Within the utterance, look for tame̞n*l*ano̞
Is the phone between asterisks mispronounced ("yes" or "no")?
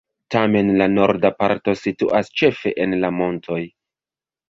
no